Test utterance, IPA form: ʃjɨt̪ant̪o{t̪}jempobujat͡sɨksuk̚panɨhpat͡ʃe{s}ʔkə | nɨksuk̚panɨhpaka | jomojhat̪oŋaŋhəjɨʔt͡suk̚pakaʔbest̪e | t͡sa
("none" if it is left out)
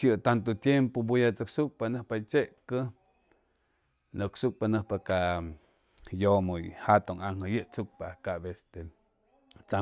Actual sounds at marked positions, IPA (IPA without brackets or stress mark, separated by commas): t̪, none